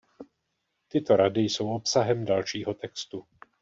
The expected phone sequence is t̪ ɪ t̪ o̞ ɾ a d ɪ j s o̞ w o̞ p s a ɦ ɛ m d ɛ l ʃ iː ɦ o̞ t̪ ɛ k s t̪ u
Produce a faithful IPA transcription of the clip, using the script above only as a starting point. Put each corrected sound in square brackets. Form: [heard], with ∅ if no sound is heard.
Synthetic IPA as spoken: t̪ ɪ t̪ o̞ ɾ a d ɪ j s o̞ w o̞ p s a ɦ ɛ m d [a] l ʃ iː ɦ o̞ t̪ ɛ k s t̪ u